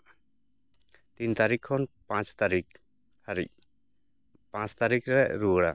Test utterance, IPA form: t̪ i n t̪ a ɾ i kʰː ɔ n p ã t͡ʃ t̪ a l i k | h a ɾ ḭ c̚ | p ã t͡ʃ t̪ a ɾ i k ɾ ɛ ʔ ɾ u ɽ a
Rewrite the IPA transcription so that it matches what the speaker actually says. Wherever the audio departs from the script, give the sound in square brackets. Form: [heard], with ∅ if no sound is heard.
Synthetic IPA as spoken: t̪ i n t̪ a ɾ i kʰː ɔ n p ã t͡ʃ t̪ a [ɾ] i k | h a ɾ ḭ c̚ | p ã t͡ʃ t̪ a ɾ i k ɾ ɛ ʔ ɾ u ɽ a